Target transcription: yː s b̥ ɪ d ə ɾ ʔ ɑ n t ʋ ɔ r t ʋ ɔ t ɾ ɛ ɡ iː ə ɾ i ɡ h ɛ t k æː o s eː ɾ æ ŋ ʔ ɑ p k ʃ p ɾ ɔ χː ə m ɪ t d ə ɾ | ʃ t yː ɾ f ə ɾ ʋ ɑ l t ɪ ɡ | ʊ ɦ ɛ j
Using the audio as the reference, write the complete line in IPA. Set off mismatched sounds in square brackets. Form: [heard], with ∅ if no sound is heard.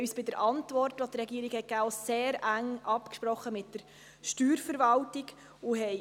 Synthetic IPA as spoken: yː s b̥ ɪ d ə ɾ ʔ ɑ n t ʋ ɔ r t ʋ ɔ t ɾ ɛ ɡ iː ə ɾ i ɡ h ɛ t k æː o s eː ɾ æ ŋ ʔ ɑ p k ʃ p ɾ ɔ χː ə m ɪ t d ə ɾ | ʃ t yː ɾ f ə ɾ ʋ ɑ l t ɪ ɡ | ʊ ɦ ɛ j